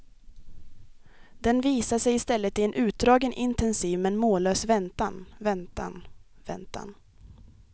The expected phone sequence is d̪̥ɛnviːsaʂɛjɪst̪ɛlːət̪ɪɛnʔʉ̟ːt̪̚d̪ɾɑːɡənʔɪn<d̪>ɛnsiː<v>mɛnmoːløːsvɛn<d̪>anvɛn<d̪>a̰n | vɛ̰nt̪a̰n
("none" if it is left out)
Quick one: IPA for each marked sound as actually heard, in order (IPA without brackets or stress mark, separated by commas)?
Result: t̪, v, t̪, t̪